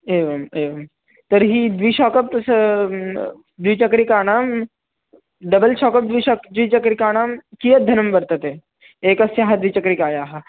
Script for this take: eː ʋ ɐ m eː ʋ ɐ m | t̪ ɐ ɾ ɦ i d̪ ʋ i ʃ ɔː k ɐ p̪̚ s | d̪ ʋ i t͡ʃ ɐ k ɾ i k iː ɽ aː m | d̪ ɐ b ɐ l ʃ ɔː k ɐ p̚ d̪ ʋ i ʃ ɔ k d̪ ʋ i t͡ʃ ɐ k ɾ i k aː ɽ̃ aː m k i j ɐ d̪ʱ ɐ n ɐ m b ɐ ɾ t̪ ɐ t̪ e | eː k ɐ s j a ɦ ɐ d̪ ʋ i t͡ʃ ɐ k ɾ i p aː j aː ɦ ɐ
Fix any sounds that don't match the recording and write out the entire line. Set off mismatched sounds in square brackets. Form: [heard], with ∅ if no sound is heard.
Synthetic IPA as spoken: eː ʋ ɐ m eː ʋ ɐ m | t̪ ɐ ɾ ɦ i d̪ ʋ i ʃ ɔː k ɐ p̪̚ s | d̪ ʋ i t͡ʃ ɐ k ɾ i k [aː] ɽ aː m | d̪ ɐ b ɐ l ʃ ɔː k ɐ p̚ d̪ ʋ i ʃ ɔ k d̪ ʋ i t͡ʃ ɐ k ɾ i k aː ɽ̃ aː m k i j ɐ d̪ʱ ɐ n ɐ m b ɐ ɾ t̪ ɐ t̪ e | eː k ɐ s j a ɦ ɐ d̪ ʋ i t͡ʃ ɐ k ɾ i [k] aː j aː ɦ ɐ